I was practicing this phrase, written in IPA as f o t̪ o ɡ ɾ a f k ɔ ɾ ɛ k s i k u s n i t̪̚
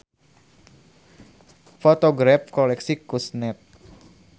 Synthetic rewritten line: f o t̪ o ɡ ɾ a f k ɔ l ɛ k s i k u s n ɛ t̪̚